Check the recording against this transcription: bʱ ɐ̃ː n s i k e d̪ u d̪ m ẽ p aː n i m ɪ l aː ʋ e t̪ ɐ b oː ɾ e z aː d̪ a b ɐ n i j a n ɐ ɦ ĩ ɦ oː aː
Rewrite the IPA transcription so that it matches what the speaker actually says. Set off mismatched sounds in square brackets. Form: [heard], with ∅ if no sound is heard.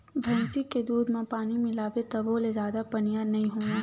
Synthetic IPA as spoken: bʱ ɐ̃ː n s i k e d̪ [uː] d̪ m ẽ p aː n i m ɪ l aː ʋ e t̪ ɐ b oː [l] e z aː d̪ a [p] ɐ n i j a n ɐ ɦ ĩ ɦ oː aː